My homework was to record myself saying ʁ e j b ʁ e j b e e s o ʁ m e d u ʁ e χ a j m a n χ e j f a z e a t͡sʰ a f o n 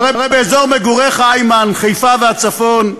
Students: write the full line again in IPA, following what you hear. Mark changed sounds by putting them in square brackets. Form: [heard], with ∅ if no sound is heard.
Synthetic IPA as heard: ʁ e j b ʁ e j b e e [z] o ʁ m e [ɡ] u ʁ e χ a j m a n χ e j f a [v] e a [t͡s] a f o n